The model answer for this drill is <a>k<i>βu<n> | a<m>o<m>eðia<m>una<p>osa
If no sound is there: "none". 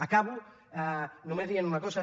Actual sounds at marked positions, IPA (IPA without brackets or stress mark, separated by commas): a, a, none, n, m, n, k